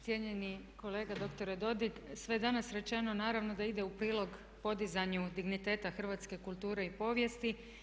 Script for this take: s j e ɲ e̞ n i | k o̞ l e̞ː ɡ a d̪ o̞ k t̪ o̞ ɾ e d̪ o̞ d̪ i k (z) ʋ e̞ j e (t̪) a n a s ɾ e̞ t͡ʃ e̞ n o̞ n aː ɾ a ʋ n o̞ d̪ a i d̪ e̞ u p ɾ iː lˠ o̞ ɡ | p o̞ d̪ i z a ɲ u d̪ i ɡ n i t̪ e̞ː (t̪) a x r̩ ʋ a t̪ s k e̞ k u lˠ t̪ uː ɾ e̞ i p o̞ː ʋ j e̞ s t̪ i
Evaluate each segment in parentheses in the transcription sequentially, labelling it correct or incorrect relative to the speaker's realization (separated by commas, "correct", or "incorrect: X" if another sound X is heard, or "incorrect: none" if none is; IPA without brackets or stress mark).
incorrect: s, incorrect: d̪, correct